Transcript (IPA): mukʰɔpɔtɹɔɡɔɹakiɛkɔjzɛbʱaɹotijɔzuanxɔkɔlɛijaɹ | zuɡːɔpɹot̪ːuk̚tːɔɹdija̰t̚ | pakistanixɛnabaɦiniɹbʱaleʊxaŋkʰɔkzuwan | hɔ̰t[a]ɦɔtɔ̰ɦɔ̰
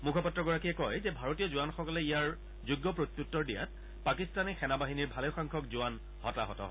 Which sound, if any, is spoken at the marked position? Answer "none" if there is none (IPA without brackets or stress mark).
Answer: a